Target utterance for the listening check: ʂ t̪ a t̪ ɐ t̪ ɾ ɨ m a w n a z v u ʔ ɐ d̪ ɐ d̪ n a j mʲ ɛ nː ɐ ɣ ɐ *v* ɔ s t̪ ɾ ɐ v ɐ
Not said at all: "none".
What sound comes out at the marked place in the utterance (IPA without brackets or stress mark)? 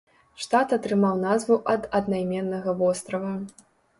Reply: v